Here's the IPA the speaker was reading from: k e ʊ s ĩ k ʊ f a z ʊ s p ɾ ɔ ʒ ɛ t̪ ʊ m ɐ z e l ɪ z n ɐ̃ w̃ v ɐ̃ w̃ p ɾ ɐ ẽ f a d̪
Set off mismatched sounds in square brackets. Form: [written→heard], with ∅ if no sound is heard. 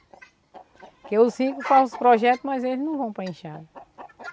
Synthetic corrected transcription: k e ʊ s ĩ k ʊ f a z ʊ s p ɾ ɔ ʒ ɛ t̪ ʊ m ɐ z e l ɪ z n ɐ̃ w̃ v ɐ̃ w̃ p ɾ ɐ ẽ [f→ʃ] a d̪